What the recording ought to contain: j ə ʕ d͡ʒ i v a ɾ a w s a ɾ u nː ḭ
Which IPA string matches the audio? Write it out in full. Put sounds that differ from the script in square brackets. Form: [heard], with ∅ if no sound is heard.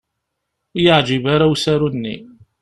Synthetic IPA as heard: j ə ʕ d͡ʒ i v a ɾ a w s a ɾ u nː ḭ